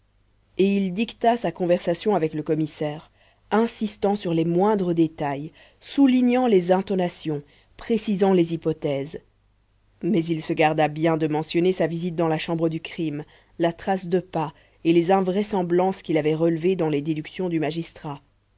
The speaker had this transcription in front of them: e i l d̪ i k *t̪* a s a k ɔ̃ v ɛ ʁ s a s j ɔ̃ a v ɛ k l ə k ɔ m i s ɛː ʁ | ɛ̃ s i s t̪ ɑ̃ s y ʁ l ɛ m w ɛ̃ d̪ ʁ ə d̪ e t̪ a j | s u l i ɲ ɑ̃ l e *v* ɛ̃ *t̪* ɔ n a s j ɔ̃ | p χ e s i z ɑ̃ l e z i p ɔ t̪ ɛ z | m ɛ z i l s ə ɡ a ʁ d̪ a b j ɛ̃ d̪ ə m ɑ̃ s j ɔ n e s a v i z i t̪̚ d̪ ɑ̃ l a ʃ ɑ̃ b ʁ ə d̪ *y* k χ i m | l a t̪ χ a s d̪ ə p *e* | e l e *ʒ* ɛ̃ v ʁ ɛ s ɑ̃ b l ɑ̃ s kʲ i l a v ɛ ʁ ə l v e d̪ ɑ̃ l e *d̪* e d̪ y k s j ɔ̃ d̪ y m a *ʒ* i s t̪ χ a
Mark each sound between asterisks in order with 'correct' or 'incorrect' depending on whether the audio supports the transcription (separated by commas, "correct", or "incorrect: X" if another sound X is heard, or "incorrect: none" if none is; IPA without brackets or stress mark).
correct, incorrect: z, correct, correct, incorrect: a, incorrect: z, correct, correct